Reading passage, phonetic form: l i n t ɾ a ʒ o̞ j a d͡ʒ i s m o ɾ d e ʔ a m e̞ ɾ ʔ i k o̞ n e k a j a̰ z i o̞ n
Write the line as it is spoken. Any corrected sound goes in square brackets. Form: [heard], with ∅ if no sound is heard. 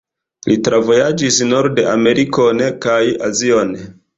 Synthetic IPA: l i [∅] t ɾ a [v] o̞ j a d͡ʒ i s [n] o ɾ d e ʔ a m e̞ ɾ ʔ i k o̞ n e k a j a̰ z i o̞ n

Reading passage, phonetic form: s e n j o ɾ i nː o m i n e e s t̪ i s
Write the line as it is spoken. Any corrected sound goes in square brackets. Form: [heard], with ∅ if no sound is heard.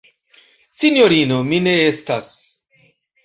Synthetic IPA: s [i] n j o ɾ i [n] o m i n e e s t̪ [a] s

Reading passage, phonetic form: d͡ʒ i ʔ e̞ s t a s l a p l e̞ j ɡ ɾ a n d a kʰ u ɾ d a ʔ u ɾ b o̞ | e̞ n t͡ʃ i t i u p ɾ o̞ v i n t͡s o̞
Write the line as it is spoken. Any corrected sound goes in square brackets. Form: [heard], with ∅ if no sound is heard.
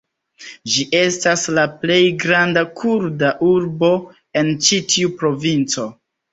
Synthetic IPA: d͡ʒ i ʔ e̞ s t a s l a p l e̞ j ɡ ɾ a n d a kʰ u ɾ d a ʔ u ɾ b o̞ | e̞ n t͡ʃ i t i u p ɾ o̞ v i n t͡s o̞

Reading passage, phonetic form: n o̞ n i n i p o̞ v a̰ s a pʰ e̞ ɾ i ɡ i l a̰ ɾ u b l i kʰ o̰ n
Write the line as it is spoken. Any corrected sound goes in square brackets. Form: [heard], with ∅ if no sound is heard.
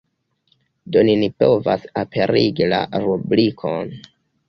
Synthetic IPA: [d] o̞ n i n i p o̞ v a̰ s a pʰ e̞ ɾ i ɡ i l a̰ ɾ u b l i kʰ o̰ n

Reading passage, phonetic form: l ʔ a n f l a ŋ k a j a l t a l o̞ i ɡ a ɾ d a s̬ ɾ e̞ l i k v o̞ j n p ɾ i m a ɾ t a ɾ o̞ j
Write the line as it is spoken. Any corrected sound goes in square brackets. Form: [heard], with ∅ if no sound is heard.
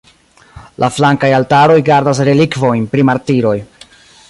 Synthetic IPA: l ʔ a [∅] f l a ŋ k a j a l t a [ɾ] o̞ [j] ɡ a ɾ d a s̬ ɾ e̞ l i k v o̞ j n p ɾ i m a ɾ t [i] ɾ o̞ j

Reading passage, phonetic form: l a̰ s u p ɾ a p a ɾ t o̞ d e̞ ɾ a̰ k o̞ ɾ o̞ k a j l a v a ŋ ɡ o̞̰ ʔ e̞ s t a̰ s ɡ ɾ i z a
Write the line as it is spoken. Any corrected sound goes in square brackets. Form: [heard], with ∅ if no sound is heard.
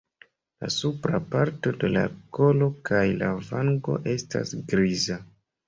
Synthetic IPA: l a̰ s u p ɾ a p a ɾ t o̞ d e̞ [l] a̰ k o̞ [l] o̞ k a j l a v a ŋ ɡ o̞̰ ʔ e̞ s t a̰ s ɡ ɾ i z a

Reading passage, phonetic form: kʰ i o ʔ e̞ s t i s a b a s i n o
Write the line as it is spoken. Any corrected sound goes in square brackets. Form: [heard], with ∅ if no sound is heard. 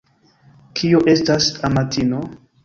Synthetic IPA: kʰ i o ʔ e̞ s t [a] s a [m] a [t] i n o

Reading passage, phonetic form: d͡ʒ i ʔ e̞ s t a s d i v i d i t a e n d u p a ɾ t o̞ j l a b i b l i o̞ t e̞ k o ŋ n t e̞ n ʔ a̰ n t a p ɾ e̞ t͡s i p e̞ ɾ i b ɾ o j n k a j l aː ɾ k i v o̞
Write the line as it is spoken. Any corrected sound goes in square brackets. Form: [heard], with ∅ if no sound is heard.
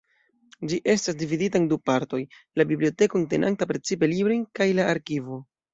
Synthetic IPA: d͡ʒ i ʔ e̞ s t a s d i v i d i t a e n d u p a ɾ t o̞ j l a b i b l i o̞ t e̞ k o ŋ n t e̞ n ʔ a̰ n t a p ɾ e̞ t͡s i p e̞ [l] i b ɾ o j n k a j l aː ɾ k i v o̞

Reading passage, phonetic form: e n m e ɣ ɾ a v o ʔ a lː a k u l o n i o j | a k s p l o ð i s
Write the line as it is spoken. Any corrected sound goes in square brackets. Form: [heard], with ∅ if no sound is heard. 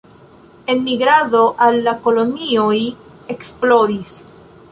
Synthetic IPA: e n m [i] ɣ ɾ a [ð] o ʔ a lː a k [o] l o n i o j | [e] k s p l o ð i s

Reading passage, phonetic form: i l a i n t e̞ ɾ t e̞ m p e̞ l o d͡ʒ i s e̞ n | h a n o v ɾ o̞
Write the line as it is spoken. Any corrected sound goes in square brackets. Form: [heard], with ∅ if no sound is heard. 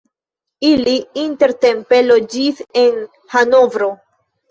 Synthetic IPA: i l [i] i n t e̞ ɾ t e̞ m p e̞ l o d͡ʒ i s e̞ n | h a n o v ɾ o̞

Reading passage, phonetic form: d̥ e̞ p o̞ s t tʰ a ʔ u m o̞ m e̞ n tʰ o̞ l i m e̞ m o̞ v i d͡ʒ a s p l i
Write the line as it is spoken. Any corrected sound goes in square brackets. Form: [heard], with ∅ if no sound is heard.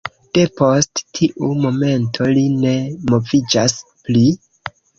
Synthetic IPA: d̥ e̞ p o̞ s t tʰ [i] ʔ u m o̞ m e̞ n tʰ o̞ l i [n] e̞ m o̞ v i d͡ʒ a s p l i

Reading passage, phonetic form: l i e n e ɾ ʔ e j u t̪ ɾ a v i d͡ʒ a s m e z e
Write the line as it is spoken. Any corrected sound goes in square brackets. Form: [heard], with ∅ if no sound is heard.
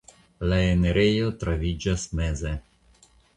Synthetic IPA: l [a] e n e ɾ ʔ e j [o] t̪ ɾ a v i d͡ʒ a s m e z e

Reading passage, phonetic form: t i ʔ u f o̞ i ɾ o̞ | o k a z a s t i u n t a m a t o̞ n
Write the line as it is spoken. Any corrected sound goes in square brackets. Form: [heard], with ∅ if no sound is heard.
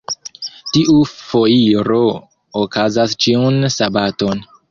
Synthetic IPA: t i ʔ u f o̞ i ɾ o̞ | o k a z a s [t͡ʃ] i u n [s] a [b] a t o̞ n

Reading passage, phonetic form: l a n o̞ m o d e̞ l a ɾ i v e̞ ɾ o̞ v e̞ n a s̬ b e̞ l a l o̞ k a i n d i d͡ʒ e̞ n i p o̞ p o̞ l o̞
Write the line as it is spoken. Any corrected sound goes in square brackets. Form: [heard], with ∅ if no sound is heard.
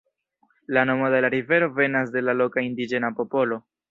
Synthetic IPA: l a n o̞ m o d e̞ l a ɾ i v e̞ ɾ o̞ v e̞ n a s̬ [d] e̞ l a l o̞ k a i n d i d͡ʒ e̞ n [a] p o̞ p o̞ l o̞

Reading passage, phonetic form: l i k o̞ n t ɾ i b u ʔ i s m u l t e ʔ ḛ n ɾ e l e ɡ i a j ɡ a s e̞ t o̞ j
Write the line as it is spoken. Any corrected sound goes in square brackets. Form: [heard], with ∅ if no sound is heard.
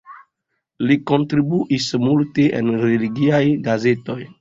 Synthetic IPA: l i k o̞ n t ɾ i b u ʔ i s m u l t e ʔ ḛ n ɾ e l [i] ɡ i a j ɡ a [z] e̞ t o̞ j

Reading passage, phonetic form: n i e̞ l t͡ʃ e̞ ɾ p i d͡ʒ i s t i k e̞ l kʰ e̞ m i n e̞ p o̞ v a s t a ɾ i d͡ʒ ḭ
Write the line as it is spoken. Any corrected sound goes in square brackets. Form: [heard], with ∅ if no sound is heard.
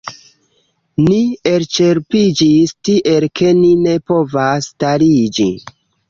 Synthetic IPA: n i e̞ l t͡ʃ e̞ ɾ p i d͡ʒ i s t i [ʔ] e̞ l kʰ e̞ [n] i n e̞ p o̞ v a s t a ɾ i d͡ʒ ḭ

